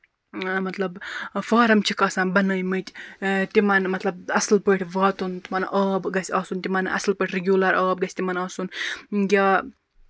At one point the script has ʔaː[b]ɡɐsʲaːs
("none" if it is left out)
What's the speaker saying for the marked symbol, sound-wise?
b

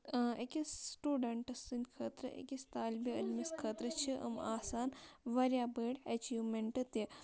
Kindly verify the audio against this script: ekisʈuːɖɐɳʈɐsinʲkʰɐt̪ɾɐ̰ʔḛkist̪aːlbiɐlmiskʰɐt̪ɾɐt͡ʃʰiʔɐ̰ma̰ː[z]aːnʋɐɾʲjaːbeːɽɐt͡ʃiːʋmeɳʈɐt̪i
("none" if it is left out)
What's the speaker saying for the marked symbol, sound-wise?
s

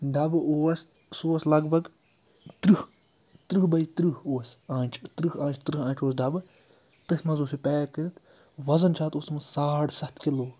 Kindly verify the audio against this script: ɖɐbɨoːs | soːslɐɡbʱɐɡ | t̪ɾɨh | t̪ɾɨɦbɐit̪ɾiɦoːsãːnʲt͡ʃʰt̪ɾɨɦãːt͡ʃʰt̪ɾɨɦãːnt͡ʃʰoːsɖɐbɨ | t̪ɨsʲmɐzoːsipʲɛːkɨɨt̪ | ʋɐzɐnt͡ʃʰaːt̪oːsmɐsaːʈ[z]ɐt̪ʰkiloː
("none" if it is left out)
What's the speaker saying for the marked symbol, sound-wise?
s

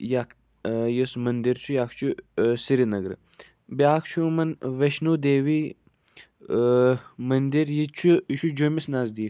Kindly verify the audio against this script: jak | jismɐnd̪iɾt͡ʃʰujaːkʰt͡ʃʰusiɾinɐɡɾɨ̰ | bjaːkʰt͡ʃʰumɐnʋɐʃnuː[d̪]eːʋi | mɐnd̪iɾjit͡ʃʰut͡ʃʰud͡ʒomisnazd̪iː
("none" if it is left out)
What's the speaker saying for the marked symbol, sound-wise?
d̪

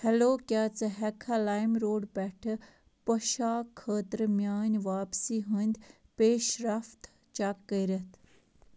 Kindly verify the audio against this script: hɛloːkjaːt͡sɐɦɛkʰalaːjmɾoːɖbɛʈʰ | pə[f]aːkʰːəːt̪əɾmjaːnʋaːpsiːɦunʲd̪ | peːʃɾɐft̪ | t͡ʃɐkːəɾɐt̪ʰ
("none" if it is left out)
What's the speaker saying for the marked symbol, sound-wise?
ʃ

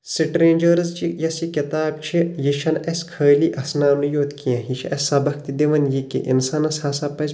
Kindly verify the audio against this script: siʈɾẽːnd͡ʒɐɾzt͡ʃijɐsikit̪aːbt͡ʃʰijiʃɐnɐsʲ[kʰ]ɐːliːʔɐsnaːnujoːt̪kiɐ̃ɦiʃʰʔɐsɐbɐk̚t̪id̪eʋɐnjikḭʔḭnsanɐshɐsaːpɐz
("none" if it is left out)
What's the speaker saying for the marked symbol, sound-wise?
kʰ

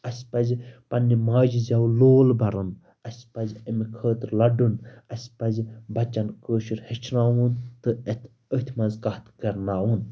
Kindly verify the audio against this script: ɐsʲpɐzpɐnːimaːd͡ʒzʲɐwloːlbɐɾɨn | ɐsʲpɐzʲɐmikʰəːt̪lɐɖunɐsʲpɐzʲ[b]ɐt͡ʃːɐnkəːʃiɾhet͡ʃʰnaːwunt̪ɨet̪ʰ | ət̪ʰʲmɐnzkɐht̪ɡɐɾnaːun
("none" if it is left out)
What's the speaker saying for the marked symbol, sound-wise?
b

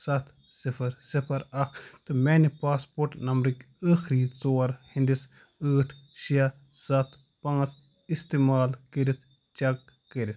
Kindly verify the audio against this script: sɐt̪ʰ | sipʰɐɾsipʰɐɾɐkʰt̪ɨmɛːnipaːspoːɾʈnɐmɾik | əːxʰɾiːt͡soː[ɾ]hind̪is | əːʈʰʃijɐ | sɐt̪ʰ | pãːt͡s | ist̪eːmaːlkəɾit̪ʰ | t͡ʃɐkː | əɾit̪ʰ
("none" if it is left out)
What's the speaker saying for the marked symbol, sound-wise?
ɾ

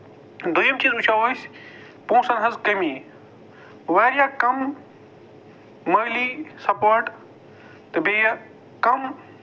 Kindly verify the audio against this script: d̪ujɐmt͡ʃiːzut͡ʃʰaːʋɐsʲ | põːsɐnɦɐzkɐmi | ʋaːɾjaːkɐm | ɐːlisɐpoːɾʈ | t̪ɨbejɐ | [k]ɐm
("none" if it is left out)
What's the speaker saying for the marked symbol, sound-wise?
k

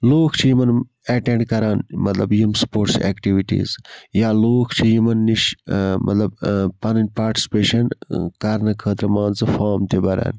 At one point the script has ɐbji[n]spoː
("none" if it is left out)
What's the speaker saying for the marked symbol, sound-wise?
m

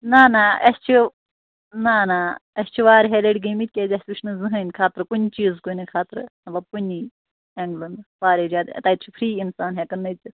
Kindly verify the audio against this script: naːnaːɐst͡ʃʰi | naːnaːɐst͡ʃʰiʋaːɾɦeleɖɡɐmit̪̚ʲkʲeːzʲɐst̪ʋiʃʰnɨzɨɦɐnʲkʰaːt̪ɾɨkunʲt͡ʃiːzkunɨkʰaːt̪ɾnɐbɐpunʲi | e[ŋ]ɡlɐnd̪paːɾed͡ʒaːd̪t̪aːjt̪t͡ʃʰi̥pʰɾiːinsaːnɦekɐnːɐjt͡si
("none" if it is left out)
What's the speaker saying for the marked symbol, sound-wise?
ŋ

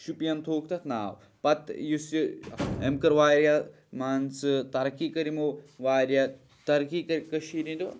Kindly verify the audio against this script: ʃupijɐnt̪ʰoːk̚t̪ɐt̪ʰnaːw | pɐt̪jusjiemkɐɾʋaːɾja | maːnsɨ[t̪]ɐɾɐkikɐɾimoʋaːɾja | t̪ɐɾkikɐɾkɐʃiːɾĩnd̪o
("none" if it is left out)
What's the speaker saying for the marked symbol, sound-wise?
t̪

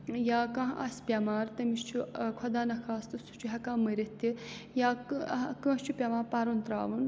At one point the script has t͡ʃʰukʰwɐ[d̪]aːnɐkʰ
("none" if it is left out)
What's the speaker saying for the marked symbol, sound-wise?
d̪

